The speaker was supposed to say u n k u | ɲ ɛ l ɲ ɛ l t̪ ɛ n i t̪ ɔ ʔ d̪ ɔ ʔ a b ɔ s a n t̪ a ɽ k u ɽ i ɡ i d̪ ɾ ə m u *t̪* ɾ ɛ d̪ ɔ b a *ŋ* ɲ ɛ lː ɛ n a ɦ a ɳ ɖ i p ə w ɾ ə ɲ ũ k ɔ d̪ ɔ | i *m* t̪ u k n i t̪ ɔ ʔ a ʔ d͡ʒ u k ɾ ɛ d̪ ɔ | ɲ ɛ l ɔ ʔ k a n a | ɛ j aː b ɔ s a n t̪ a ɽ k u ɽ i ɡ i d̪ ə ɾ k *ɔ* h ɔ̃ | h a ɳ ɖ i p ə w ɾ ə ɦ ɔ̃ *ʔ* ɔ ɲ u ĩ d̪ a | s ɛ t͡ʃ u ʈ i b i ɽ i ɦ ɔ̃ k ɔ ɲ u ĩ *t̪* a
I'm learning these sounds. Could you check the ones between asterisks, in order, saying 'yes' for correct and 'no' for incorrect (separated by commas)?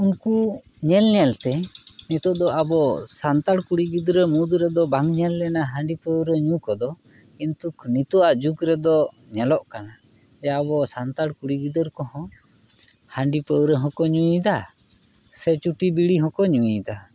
no, yes, no, yes, no, no